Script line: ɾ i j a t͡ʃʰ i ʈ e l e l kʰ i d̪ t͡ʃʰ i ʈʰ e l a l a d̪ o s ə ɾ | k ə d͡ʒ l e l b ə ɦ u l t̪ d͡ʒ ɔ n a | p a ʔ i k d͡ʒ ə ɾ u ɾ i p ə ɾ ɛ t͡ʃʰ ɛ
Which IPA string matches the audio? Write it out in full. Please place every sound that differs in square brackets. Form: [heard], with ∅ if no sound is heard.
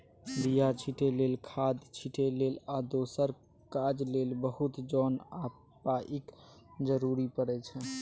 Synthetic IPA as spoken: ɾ i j a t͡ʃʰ i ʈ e l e l kʰ [a] d̪ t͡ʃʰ i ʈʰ e l [e] l a d̪ o s ə ɾ | k [a] d͡ʒ l e l b ə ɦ u [∅] t̪ d͡ʒ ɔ n a | p a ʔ i k d͡ʒ ə ɾ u ɾ i p ə ɾ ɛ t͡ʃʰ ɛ